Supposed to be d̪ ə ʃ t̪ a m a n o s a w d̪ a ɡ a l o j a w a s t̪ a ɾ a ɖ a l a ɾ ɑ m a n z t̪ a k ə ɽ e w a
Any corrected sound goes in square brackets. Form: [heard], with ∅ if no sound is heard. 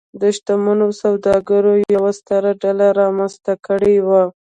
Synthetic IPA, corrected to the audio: d̪ ə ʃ t̪ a m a n o s a w d̪ [ɑ] ɡ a [ɾ] o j a w a s t̪ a ɾ a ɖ a l a ɾ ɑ m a n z t̪ a k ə ɽ e w a